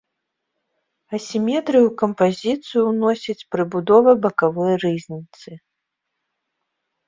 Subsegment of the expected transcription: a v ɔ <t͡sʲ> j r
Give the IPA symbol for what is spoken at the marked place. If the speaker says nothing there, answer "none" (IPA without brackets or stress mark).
none